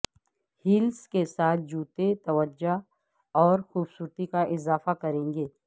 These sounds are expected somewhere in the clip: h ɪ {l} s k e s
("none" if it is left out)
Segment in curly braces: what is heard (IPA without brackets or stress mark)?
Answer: l